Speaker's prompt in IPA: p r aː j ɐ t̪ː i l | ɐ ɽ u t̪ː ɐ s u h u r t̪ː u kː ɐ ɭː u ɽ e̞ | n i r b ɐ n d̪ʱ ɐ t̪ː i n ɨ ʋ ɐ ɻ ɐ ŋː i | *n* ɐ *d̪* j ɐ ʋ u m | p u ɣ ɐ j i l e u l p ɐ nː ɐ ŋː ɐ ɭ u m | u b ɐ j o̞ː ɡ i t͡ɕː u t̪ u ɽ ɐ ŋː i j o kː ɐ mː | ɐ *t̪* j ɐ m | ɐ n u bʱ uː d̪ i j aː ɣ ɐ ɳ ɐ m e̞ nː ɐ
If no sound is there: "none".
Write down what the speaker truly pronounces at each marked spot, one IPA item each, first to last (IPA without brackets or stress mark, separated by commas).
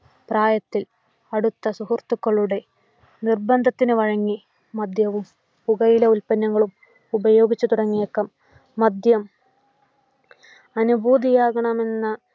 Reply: m, d̪, d̪